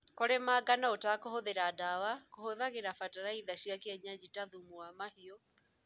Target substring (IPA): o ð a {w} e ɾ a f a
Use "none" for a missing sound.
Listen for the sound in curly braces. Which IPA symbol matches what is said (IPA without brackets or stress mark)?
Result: ɣ